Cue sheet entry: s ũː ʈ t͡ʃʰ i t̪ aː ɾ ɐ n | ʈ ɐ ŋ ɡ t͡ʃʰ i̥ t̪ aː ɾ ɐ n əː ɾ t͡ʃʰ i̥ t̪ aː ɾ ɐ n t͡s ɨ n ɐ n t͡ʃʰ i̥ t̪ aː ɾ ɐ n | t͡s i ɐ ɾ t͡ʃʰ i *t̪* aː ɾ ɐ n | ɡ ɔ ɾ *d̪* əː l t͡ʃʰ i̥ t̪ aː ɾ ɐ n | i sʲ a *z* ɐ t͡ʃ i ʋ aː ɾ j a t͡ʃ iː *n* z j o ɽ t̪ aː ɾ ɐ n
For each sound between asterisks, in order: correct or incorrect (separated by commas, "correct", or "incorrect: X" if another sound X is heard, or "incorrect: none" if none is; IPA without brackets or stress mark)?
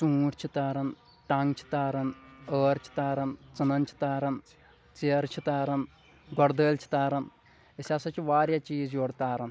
correct, correct, incorrect: s, incorrect: none